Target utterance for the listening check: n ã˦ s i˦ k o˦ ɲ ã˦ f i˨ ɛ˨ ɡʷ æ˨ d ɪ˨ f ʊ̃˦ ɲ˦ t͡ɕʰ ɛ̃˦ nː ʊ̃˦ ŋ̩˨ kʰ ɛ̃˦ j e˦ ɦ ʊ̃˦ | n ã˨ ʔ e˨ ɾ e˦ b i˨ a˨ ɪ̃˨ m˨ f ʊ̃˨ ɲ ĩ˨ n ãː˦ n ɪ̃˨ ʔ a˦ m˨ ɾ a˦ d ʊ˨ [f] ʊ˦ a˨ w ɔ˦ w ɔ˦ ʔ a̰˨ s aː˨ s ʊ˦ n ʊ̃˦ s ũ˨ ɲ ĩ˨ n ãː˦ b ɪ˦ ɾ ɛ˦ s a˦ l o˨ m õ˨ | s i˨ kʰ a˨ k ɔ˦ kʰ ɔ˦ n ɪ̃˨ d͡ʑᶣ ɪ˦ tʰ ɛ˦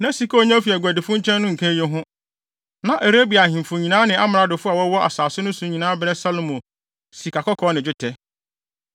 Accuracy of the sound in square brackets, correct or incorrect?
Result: correct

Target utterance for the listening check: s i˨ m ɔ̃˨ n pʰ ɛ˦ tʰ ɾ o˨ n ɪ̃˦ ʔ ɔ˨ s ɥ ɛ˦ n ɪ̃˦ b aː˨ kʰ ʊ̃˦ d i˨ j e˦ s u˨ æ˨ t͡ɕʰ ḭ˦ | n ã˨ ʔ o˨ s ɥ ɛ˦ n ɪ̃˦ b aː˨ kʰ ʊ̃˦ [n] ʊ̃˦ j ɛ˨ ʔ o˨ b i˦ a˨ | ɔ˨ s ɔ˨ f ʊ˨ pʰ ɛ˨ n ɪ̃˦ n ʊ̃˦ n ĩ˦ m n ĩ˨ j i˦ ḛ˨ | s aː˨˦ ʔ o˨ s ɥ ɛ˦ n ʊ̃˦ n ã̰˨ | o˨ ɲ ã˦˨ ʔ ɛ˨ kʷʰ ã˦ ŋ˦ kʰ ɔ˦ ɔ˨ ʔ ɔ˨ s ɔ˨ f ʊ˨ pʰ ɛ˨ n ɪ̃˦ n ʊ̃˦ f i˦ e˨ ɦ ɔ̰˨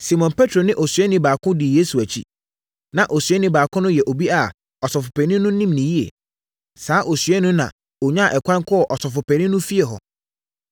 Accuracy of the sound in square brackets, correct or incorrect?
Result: correct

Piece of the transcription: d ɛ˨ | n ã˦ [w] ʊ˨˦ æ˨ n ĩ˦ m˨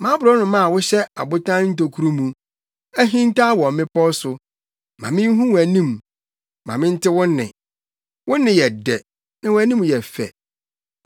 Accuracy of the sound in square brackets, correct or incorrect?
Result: correct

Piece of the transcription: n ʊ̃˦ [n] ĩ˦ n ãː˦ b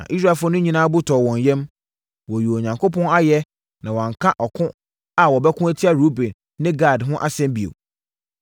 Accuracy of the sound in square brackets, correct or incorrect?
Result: incorrect: ɲ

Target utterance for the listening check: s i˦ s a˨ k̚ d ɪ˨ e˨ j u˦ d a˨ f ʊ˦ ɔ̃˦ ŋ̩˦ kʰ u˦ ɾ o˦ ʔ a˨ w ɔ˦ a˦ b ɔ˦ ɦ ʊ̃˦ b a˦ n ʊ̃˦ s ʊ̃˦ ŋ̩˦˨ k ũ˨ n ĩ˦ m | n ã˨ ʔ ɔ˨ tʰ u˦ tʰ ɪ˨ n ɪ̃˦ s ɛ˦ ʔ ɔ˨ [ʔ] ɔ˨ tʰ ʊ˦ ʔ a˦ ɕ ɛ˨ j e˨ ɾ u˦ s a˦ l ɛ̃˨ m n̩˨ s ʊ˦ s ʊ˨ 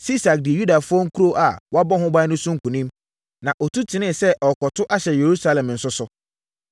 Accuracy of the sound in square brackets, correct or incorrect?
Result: incorrect: k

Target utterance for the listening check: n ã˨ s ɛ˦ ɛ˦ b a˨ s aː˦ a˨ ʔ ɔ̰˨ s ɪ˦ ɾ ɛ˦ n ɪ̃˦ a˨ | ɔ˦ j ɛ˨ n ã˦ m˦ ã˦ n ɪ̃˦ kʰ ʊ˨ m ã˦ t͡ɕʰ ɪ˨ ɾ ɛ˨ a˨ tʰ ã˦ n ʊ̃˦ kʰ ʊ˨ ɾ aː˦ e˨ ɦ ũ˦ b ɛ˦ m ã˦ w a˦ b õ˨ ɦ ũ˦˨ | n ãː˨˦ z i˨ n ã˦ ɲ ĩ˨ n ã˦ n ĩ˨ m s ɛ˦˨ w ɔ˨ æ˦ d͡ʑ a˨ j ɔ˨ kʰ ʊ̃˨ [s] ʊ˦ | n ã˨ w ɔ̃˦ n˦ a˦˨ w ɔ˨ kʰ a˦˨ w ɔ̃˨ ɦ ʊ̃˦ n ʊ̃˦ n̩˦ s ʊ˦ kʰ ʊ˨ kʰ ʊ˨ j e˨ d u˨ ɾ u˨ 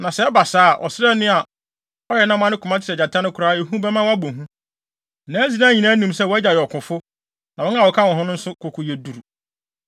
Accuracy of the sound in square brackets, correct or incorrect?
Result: incorrect: f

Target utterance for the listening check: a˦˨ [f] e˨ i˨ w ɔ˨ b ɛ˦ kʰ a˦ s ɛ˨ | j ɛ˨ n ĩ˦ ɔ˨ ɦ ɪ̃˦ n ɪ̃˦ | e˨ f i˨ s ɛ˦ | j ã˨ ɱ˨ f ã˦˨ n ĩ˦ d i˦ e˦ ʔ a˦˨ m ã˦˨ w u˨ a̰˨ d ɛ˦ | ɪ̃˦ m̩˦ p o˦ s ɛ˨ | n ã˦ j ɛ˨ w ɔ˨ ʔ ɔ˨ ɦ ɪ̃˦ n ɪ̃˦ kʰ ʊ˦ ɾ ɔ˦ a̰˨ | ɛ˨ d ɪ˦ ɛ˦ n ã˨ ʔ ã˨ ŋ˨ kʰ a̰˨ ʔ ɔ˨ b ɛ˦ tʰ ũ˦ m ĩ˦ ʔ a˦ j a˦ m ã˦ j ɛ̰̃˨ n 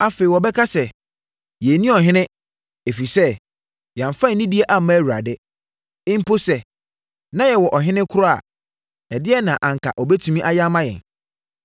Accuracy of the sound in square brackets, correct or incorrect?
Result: correct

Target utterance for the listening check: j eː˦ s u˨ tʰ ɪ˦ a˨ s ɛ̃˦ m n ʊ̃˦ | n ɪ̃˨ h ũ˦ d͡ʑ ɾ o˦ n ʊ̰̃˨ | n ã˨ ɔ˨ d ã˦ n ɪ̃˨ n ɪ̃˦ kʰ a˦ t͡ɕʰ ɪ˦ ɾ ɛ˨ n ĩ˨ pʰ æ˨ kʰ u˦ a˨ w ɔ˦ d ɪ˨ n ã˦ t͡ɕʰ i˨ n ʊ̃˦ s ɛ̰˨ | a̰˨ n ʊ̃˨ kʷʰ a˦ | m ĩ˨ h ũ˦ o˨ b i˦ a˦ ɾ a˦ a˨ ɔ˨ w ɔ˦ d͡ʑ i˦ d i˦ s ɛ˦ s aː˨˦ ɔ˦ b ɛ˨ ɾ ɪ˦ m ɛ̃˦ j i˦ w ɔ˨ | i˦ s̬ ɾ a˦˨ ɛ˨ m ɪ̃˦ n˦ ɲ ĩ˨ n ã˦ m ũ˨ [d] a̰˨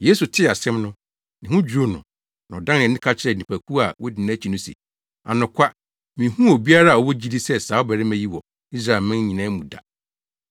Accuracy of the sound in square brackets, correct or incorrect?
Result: correct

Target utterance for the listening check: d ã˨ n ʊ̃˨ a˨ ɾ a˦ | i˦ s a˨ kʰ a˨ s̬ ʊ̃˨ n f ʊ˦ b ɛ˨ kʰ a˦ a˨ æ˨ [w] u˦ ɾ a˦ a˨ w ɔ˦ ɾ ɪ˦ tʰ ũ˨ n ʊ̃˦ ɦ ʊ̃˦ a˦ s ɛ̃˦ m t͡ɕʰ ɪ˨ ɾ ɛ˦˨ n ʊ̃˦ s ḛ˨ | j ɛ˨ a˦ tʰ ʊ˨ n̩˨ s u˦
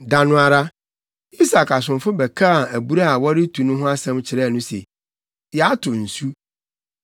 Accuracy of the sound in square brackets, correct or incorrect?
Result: incorrect: b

